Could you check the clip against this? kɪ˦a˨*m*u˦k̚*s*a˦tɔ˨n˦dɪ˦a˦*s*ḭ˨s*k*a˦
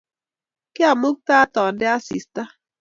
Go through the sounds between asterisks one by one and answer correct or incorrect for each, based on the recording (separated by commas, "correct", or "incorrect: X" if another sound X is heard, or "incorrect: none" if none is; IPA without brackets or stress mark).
correct, incorrect: t, correct, incorrect: t